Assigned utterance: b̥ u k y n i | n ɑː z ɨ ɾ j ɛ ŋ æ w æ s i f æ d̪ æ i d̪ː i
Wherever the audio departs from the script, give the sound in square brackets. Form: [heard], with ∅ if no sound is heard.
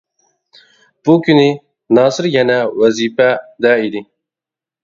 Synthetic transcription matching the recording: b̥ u k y n i | n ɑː [s] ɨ ɾ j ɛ [n] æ w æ [z] i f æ d̪ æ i [d̪] i